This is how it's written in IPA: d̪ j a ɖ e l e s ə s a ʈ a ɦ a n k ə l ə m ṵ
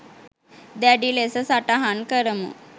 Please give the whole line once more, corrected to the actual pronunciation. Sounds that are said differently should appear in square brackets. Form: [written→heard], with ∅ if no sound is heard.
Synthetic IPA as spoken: d̪ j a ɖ [e→i] l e s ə s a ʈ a ɦ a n k ə [l→ɾ] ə m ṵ

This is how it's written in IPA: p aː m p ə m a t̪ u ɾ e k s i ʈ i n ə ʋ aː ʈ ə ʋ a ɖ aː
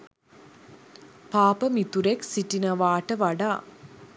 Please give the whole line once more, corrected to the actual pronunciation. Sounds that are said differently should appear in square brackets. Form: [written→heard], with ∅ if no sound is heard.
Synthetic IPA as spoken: p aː [m→∅] p ə m [a→i] t̪ u ɾ e k s i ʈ i n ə ʋ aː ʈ ə ʋ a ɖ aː

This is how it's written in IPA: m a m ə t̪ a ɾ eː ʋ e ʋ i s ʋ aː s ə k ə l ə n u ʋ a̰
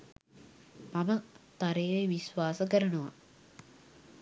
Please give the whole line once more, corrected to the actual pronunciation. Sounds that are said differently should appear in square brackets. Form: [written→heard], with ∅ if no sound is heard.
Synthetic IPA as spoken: m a m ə t̪ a ɾ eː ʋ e ʋ i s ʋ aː s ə k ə [l→ɾ] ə n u ʋ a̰

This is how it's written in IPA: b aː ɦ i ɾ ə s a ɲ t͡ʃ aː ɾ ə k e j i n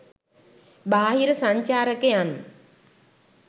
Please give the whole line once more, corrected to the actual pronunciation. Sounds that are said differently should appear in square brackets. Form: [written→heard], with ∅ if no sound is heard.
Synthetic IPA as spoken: b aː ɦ i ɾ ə s a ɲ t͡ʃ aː ɾ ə k e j [i→a] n

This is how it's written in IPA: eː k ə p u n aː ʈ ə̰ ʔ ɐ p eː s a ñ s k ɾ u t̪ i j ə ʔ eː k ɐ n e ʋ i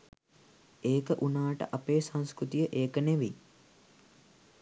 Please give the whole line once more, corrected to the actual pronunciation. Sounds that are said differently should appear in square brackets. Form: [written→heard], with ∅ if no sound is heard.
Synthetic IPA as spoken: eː k ə [p→ʔ] u n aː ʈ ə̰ ʔ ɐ p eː s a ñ s k ɾ u t̪ i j ə ʔ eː k [ɐ→ə] n e ʋ i

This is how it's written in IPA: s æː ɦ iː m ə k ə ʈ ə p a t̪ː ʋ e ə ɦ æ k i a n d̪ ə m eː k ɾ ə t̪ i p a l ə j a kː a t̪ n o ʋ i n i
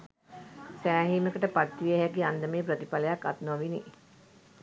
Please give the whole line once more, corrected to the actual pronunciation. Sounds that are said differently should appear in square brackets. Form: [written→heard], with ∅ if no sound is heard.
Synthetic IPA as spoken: s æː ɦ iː m ə k ə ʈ ə p a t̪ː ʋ [e→i] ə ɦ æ k i a n d̪ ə m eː [k→p] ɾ ə t̪ i p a l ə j a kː a t̪ n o ʋ i n i

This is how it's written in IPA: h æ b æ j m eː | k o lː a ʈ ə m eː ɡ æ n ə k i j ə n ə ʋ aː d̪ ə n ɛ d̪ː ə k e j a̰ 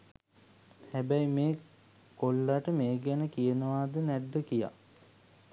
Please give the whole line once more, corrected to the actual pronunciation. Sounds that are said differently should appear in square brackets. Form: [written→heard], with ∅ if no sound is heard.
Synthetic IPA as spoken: h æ b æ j m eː | k o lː a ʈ ə m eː ɡ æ n ə k i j ə n ə ʋ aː d̪ ə n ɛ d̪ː ə k [e→i] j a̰

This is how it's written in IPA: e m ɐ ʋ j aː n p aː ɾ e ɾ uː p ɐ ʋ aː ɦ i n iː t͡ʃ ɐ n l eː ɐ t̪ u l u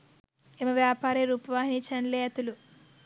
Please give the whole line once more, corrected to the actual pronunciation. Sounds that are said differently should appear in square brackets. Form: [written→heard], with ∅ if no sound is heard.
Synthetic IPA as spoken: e m ɐ ʋ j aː [n→∅] p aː ɾ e ɾ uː p ɐ ʋ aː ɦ i n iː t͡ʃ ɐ n l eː ɐ t̪ u l u

